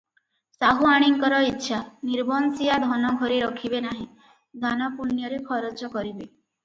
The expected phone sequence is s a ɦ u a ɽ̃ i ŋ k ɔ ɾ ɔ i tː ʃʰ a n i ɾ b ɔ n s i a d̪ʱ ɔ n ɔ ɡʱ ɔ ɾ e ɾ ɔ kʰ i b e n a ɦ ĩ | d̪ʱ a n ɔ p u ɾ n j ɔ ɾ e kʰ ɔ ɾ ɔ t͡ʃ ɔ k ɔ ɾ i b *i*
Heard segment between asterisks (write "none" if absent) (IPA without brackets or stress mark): e